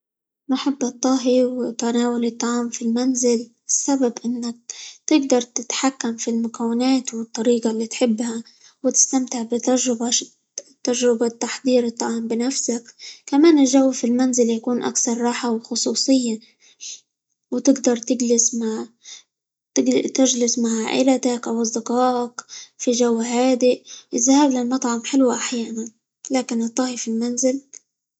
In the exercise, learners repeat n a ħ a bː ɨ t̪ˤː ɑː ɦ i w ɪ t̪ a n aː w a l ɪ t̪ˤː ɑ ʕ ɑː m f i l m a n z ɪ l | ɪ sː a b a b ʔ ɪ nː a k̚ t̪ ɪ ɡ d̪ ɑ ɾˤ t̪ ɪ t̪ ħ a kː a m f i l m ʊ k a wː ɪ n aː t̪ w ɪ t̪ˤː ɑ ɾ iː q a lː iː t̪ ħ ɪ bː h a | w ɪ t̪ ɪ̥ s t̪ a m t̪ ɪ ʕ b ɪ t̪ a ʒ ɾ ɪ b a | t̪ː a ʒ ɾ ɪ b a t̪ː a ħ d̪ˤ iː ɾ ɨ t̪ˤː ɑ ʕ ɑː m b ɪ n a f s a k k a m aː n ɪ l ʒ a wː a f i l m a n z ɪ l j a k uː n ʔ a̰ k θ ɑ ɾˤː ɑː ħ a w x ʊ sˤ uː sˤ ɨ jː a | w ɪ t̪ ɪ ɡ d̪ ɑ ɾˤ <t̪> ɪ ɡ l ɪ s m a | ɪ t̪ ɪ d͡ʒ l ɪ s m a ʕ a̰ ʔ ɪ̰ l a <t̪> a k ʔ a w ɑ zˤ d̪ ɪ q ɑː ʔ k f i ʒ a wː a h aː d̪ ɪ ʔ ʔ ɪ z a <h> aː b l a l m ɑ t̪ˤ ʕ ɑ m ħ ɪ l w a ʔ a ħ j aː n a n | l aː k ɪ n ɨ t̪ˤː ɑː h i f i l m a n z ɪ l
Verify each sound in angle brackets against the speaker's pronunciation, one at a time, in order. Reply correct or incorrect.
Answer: correct, correct, correct

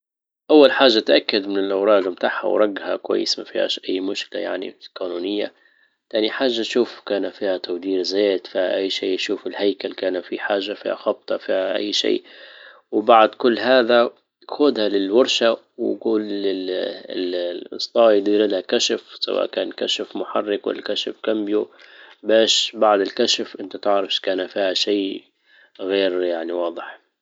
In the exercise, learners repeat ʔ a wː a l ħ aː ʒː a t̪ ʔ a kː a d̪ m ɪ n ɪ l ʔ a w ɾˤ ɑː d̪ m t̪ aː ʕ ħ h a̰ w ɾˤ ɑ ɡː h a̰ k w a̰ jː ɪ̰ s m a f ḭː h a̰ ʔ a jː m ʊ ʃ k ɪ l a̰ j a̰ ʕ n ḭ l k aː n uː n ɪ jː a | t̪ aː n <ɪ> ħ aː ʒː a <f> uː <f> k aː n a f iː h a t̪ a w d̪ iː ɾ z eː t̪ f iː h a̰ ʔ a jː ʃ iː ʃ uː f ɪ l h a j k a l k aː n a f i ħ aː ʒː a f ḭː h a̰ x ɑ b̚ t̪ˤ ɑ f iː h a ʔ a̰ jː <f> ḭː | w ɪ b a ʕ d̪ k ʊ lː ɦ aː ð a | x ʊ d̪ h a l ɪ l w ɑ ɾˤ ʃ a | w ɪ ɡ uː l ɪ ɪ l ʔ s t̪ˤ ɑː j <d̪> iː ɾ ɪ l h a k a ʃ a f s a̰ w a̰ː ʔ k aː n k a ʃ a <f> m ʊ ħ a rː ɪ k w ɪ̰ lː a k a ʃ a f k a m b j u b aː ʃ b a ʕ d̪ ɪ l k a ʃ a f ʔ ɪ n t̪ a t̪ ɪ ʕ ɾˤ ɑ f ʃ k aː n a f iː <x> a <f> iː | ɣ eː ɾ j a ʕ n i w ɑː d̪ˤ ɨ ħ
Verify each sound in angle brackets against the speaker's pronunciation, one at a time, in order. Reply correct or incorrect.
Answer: incorrect: i, incorrect: ʃ, correct, incorrect: ʃ, correct, correct, incorrect: h, incorrect: ʃ

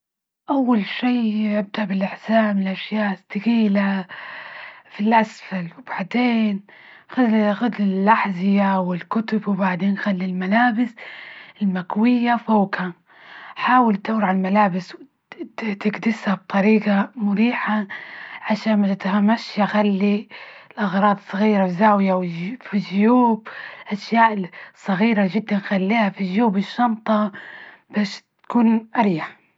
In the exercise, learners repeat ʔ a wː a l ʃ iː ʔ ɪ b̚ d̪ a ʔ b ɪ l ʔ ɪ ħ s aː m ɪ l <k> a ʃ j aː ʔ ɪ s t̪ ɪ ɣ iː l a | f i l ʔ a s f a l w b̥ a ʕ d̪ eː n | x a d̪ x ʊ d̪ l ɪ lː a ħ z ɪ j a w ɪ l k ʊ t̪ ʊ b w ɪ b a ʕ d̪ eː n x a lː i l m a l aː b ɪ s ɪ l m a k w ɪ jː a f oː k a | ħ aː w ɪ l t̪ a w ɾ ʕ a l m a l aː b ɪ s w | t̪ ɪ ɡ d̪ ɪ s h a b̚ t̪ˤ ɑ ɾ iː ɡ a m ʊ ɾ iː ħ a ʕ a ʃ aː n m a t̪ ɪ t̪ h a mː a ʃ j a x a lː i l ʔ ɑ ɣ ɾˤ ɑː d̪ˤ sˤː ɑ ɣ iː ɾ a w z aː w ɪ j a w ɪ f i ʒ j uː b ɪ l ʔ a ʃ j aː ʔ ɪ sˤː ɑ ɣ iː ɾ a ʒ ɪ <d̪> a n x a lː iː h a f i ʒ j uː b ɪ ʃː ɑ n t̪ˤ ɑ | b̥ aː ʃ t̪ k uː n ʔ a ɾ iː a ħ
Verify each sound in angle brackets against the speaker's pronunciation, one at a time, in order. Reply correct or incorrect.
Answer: incorrect: ʔ, incorrect: d̪ː

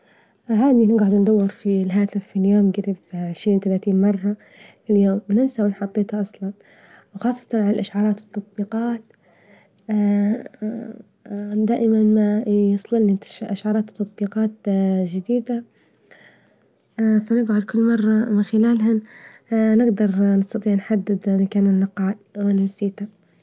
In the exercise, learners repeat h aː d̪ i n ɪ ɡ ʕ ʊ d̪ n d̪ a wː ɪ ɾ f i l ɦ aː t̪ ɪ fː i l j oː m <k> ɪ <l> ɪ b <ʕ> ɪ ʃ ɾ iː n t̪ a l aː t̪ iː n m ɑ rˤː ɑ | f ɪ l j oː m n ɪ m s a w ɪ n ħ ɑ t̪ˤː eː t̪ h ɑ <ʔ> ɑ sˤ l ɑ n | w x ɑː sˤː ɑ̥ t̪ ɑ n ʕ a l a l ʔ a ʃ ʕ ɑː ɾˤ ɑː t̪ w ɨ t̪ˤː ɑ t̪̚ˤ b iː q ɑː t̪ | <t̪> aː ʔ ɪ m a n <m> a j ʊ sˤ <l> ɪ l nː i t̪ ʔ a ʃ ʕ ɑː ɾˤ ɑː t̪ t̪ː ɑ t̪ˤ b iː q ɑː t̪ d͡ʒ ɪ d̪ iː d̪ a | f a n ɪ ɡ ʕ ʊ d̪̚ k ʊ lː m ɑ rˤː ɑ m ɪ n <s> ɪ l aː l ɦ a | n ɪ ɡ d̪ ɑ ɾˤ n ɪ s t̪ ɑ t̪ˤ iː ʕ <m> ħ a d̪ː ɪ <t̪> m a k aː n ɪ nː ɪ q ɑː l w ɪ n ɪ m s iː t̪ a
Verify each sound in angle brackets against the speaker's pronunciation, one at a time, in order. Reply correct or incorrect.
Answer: incorrect: ɡ, incorrect: ɾ, correct, correct, incorrect: d̪, correct, correct, incorrect: x, incorrect: n, incorrect: d̪

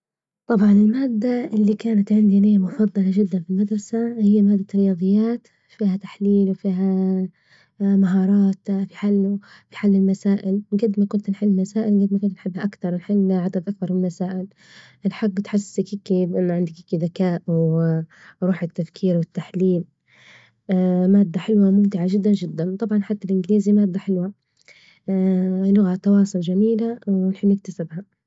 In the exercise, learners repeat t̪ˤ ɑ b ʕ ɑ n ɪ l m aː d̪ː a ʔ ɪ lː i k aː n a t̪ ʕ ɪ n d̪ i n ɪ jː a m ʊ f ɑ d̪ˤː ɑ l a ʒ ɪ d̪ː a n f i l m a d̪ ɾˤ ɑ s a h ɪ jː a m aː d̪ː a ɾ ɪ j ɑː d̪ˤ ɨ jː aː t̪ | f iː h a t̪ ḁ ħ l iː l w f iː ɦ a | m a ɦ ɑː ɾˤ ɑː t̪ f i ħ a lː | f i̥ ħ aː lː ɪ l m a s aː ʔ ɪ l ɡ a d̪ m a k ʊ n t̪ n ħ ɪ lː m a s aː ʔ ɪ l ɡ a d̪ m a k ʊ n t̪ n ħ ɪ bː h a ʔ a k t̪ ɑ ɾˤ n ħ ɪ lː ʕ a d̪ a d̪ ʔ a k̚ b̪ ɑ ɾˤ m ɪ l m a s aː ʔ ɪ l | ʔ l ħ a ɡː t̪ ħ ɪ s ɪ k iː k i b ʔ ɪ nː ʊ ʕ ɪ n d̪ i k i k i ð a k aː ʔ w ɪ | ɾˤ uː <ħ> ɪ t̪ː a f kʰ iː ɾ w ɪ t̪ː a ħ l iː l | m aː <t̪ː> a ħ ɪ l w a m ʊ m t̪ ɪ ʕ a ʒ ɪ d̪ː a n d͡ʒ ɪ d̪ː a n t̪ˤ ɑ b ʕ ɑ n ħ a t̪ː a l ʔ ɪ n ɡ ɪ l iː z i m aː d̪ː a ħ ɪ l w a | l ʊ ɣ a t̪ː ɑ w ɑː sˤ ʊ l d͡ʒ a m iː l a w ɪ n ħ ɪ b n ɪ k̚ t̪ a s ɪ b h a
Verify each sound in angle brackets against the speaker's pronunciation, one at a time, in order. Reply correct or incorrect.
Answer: correct, incorrect: d̪ː

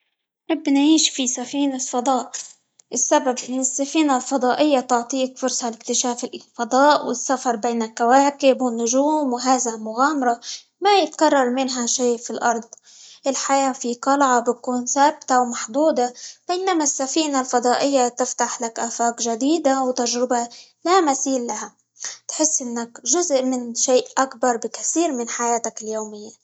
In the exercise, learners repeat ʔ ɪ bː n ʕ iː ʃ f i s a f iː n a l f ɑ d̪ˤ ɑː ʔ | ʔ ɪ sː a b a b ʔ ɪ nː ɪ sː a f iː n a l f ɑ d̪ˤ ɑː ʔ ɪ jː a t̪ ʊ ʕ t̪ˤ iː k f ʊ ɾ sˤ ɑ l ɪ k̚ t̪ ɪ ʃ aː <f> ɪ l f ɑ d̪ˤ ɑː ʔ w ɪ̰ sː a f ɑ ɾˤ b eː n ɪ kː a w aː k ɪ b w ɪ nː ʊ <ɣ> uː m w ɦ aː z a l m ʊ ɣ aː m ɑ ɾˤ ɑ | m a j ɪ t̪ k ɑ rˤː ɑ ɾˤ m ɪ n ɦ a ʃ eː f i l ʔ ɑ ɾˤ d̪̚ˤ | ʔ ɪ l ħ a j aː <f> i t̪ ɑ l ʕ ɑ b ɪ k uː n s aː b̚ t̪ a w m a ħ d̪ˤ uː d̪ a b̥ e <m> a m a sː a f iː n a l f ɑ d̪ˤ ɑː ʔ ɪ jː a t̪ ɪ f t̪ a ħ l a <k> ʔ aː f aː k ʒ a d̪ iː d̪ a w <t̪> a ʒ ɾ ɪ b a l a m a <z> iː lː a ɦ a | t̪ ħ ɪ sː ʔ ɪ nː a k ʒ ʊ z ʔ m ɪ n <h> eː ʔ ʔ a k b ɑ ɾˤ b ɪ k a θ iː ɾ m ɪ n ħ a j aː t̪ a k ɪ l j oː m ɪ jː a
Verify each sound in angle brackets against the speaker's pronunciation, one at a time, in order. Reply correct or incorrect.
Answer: correct, incorrect: ʒ, correct, incorrect: n, correct, correct, incorrect: s, incorrect: ʃ

